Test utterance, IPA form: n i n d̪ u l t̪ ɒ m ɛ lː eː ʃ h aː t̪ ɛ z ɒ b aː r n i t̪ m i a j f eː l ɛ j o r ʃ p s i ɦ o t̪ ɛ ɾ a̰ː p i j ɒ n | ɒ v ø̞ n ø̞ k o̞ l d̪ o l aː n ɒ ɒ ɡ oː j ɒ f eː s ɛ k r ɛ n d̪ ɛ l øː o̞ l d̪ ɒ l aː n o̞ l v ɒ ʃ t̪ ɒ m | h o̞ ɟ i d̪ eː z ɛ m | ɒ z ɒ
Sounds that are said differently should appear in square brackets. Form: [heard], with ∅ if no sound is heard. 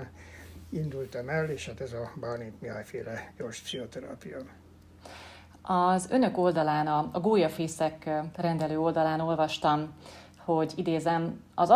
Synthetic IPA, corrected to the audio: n i n d̪ u l t̪ ɒ m ɛ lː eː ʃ h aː t̪ ɛ z ɒ b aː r n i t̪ m i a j f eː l ɛ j o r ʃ p s i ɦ o t̪ ɛ ɾ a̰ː p i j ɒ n | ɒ [z] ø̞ n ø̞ k o̞ l d̪ [ɒ] l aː n ɒ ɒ ɡ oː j ɒ f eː s ɛ k r ɛ n d̪ ɛ l øː o̞ l d̪ ɒ l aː n o̞ l v ɒ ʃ t̪ ɒ m | h o̞ ɟ i d̪ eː z ɛ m | ɒ z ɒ